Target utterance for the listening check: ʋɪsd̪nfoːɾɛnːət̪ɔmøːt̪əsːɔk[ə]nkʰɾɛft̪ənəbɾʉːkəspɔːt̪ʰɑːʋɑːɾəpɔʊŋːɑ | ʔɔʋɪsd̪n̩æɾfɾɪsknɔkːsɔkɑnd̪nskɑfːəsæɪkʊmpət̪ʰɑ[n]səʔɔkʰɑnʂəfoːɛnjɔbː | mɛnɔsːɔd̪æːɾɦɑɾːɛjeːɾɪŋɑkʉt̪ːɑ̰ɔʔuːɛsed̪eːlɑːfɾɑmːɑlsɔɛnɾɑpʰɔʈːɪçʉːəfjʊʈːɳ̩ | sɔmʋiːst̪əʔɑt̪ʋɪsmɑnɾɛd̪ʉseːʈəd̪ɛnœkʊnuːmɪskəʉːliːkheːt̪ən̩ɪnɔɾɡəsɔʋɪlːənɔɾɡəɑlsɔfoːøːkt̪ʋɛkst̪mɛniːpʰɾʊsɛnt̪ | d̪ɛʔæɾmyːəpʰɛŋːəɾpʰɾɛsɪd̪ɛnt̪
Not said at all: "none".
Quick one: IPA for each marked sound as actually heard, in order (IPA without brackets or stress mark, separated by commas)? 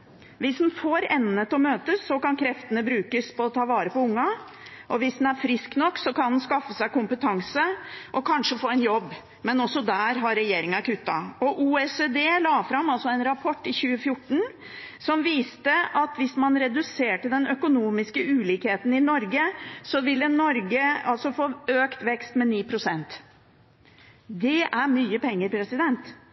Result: ɑ, ŋ